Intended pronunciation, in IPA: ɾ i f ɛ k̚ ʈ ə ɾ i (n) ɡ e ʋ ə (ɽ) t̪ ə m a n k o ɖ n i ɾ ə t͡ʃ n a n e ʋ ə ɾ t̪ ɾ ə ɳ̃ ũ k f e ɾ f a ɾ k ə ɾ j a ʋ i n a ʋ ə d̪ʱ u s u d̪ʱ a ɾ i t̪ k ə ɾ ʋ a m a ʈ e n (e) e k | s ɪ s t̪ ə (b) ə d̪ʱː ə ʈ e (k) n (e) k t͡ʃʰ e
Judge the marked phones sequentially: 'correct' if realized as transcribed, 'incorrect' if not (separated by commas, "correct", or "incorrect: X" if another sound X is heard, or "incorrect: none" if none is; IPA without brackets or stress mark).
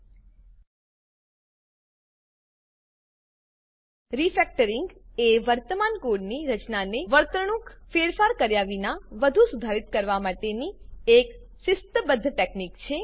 incorrect: ŋ, incorrect: ɾ, incorrect: i, correct, correct, incorrect: i